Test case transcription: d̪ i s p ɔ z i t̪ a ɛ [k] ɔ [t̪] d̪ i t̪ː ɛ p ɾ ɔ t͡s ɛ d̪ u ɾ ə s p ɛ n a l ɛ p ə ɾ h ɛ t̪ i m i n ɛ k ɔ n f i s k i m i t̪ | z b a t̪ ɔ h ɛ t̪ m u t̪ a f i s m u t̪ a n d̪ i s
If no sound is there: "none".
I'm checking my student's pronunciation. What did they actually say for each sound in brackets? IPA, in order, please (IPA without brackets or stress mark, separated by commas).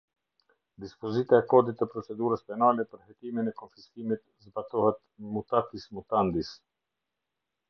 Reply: k, none